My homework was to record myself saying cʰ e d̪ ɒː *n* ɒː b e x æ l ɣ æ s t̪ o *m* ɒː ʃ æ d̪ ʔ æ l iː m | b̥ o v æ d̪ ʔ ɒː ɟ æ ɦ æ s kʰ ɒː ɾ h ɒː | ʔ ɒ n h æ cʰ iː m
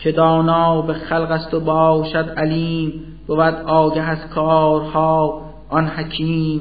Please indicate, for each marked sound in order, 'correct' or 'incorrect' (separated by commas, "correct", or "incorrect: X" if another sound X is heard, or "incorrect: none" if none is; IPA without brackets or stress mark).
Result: correct, incorrect: b